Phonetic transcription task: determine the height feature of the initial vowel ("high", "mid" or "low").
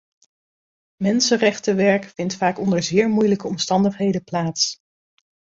mid